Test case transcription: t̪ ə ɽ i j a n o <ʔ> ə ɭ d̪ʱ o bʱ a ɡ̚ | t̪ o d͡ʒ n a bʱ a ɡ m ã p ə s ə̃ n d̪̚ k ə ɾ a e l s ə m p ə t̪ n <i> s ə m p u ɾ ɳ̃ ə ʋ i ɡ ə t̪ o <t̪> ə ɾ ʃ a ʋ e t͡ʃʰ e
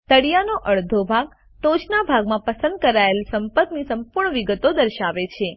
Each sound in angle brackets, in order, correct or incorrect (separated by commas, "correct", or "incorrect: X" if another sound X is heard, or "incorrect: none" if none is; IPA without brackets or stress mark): correct, correct, incorrect: d̪